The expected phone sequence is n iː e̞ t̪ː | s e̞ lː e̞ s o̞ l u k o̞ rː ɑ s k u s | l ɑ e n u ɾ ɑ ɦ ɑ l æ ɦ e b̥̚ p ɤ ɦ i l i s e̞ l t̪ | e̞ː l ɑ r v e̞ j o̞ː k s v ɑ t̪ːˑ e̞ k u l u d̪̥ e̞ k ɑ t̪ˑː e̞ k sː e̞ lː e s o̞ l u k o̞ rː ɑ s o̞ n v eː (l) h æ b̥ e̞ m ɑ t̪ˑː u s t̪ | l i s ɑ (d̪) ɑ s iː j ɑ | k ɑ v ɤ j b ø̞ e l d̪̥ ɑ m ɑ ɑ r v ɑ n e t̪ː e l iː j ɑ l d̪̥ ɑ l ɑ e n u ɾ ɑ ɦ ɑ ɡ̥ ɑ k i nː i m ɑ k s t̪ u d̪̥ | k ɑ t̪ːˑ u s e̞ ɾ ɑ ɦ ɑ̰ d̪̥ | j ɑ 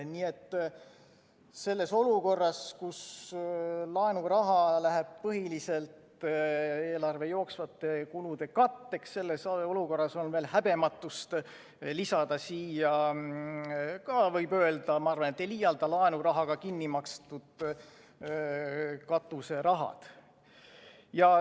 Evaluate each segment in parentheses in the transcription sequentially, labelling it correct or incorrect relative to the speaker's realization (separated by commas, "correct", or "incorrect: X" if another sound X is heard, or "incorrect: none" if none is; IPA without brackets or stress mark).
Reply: correct, correct